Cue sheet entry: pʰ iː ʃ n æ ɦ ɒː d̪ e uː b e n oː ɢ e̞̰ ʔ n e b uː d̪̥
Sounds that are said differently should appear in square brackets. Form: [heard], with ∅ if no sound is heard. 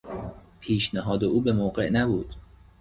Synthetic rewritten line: pʰ iː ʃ n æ ɦ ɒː d̪ e uː b e [m] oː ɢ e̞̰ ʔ n [æ] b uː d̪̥

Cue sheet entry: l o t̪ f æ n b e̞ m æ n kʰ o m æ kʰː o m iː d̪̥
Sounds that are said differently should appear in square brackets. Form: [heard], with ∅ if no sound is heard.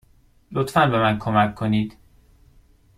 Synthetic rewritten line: l o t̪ f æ n b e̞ m æ n kʰ o m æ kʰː o [n] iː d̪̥

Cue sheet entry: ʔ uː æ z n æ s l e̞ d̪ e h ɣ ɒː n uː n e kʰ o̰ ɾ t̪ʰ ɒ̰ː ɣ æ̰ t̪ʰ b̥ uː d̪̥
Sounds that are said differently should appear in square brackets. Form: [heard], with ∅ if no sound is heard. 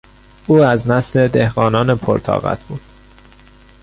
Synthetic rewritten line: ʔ uː æ z n æ s l e̞ d̪ e h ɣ ɒː n [ɒː] n e [pʰ] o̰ ɾ t̪ʰ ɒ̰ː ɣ æ̰ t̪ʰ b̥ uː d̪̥

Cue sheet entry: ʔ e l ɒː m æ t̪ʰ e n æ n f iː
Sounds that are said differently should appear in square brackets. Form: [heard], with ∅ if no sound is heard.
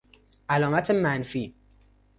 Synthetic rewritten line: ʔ [æ] l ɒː m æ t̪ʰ e [m] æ n f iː

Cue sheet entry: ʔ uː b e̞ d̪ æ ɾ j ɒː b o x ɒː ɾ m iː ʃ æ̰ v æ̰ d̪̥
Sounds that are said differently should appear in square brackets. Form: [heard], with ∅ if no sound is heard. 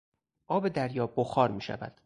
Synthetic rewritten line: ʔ [ɒː] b e̞ d̪ æ ɾ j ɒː b o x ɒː ɾ m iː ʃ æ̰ v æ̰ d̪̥

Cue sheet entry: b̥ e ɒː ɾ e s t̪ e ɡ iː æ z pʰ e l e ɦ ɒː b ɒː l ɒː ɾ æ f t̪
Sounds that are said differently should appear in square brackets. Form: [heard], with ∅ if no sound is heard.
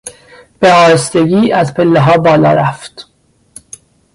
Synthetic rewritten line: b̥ e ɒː ɾ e s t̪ e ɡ iː æ z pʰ e [lː] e ɦ ɒː b ɒː l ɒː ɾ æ f t̪

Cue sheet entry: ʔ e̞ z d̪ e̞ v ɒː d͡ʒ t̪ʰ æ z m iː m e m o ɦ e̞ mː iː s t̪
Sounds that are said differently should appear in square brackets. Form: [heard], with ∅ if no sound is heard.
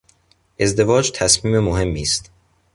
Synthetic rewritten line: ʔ e̞ z d̪ e̞ v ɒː d͡ʒ t̪ʰ æ [s] m iː m e m o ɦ e̞ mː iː s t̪

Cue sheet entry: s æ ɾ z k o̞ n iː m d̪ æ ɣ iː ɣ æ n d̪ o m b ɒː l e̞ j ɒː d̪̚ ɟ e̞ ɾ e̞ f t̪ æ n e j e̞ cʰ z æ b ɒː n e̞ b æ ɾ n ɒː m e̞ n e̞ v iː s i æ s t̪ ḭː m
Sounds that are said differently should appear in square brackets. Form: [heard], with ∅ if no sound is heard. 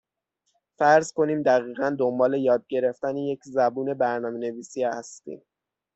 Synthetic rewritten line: [f] æ ɾ z k o̞ n iː m d̪ æ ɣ iː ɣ æ n d̪ o m b ɒː l e̞ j ɒː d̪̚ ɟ e̞ ɾ e̞ f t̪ æ n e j e̞ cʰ z æ b [uː] n e̞ b æ ɾ n ɒː m e̞ n e̞ v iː s i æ s t̪ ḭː m

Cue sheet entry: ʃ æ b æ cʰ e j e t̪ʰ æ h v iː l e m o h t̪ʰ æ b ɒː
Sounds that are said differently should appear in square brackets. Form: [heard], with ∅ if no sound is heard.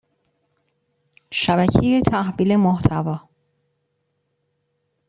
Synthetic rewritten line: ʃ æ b æ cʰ e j e t̪ʰ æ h v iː l e m o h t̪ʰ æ [v] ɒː

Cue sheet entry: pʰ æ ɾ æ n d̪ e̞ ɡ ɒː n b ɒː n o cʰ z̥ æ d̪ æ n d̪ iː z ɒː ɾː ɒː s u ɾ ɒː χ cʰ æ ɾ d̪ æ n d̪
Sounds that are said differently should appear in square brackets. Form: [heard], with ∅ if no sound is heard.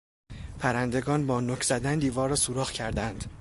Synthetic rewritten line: pʰ æ ɾ æ n d̪ e̞ ɡ ɒː n b ɒː n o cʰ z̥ æ d̪ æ n d̪ iː [v] ɒː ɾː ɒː s u ɾ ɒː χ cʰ æ ɾ d̪ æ n d̪

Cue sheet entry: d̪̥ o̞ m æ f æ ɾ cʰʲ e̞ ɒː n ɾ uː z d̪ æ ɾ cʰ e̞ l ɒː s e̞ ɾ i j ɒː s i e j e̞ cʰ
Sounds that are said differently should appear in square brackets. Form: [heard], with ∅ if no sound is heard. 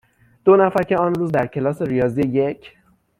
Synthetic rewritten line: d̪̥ o̞ [n] æ f æ ɾ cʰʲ e̞ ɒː n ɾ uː z d̪ æ ɾ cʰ e̞ l ɒː s e̞ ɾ i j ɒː [z] i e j e̞ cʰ

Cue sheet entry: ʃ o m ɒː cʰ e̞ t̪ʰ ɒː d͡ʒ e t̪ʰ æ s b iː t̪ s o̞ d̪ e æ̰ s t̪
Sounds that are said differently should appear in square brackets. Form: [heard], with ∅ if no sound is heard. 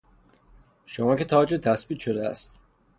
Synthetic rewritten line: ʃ o m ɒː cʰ e̞ t̪ʰ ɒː d͡ʒ e t̪ʰ æ s b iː t̪ [ʃ] o̞ d̪ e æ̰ s t̪

